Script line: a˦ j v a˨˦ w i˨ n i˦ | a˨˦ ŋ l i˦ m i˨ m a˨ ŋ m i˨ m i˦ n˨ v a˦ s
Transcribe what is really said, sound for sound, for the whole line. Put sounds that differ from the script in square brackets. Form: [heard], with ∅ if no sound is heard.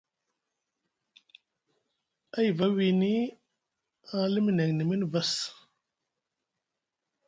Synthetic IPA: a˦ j v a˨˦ w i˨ n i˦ | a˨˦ [∅] l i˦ m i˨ [n] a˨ ŋ [n] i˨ m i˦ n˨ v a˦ s